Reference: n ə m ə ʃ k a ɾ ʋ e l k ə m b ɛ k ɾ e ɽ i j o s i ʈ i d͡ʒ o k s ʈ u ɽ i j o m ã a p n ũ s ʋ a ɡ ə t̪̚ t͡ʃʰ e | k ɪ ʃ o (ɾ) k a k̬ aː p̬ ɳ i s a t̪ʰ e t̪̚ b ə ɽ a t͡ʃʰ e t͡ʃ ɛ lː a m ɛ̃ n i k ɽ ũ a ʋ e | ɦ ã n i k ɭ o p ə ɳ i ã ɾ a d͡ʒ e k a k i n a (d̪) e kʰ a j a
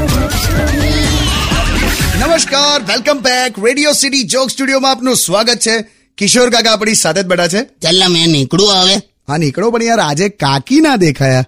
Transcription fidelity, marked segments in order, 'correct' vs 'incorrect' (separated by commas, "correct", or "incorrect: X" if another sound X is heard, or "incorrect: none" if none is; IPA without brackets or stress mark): correct, correct